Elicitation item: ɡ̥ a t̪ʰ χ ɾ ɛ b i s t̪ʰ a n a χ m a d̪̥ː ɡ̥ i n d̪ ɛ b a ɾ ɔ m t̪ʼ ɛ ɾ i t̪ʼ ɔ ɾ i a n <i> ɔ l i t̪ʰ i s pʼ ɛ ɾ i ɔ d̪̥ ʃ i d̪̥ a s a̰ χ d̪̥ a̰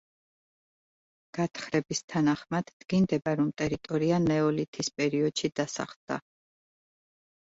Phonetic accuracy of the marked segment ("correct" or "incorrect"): incorrect